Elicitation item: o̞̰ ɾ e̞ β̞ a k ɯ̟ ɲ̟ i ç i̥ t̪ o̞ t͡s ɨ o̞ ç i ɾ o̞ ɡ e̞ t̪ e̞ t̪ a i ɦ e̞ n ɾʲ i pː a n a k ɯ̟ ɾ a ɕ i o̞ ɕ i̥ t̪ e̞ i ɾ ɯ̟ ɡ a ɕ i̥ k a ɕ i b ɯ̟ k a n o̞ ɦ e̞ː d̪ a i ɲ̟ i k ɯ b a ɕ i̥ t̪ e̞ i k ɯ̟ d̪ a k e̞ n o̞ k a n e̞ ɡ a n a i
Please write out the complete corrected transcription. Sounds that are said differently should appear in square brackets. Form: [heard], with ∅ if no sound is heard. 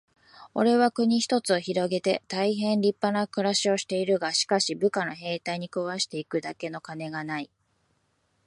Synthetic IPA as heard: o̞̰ ɾ e̞ β̞ a k ɯ̟ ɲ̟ i ç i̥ t̪ o̞ t͡s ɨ o̞ ç i ɾ o̞ ɡ e̞ t̪ e̞ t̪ a i ɦ [ẽ̞] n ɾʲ i pː a n a k ɯ̟ ɾ a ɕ i o̞ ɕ i̥ t̪ e̞ i ɾ ɯ̟ ɡ a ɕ i̥ k a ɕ i b ɯ̟ k a n o̞ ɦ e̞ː [t̪] a i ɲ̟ i k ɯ [β] a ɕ i̥ t̪ e̞ i k ɯ̟ d̪ a k e̞ n o̞ k a n e̞ ɡ a n a i